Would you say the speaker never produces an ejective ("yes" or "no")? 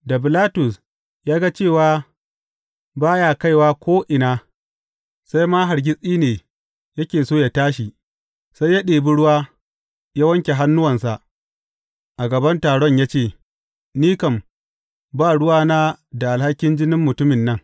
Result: no